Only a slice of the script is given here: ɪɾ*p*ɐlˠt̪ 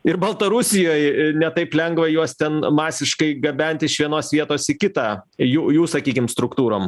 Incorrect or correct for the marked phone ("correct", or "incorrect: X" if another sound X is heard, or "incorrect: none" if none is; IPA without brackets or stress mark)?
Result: incorrect: b